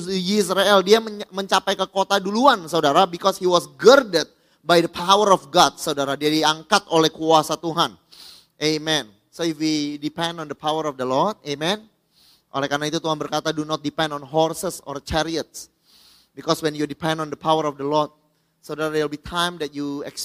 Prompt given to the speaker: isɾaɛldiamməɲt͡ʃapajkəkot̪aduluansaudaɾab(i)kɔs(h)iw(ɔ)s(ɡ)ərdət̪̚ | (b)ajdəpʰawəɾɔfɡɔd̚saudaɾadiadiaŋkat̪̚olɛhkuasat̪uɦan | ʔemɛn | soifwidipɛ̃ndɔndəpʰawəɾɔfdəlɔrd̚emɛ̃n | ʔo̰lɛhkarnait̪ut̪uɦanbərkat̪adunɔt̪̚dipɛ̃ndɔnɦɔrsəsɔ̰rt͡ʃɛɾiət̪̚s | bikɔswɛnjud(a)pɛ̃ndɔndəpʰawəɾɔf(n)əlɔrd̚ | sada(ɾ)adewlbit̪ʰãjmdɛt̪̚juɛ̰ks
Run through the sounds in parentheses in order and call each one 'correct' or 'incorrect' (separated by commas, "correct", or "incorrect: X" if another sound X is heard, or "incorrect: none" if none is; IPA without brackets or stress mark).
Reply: correct, correct, correct, correct, correct, incorrect: i, incorrect: d, correct